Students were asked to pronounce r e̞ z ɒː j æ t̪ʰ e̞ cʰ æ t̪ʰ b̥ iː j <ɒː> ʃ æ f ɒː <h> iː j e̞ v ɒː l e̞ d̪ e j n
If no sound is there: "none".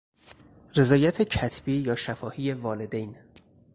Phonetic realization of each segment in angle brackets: ɒː, h

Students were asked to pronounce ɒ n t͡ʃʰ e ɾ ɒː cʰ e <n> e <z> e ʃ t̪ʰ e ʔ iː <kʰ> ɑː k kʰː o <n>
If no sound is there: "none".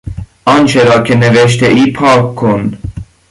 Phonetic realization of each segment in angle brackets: n, v, pʰ, n

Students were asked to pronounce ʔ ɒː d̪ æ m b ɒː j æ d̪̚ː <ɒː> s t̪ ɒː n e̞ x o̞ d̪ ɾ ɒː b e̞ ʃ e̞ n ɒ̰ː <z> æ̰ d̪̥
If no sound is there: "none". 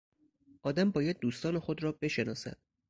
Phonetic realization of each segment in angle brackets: uː, s

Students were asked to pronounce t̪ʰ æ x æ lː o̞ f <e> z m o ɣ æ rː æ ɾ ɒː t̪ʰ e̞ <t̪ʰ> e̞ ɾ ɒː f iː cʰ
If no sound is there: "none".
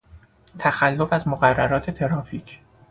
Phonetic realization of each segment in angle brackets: æ, t̪ʰ

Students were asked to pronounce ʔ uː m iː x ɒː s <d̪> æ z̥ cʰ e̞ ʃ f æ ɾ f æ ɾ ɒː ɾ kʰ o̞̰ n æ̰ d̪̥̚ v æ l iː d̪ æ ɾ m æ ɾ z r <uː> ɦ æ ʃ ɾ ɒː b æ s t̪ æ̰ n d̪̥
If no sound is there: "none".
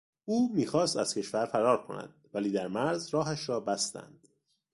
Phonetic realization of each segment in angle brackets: t̪, ɒː

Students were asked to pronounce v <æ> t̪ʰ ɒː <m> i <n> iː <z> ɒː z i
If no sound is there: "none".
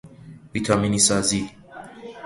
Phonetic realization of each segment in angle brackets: i, m, n, s

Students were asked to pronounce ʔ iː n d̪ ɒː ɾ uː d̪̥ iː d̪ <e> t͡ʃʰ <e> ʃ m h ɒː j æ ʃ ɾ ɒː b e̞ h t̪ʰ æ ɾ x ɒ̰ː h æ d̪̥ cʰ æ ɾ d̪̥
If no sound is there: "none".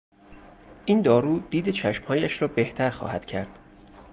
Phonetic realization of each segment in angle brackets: e, æ

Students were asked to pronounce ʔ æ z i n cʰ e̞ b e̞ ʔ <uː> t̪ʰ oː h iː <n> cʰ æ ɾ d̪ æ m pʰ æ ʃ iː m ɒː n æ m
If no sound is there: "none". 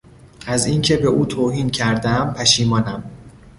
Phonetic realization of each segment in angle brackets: uː, n

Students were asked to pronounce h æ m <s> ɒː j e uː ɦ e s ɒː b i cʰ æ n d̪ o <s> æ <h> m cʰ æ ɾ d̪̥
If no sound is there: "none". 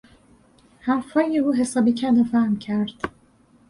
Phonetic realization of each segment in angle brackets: f, f, h

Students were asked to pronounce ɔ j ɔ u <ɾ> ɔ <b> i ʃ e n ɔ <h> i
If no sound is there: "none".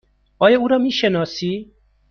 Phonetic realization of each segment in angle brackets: ɾ, m, s

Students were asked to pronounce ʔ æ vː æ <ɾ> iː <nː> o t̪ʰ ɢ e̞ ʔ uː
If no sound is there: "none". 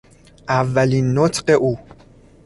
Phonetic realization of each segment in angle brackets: l, nː

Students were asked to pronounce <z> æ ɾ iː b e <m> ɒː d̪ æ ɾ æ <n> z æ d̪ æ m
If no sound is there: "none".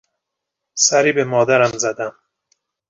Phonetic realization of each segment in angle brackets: s, m, m

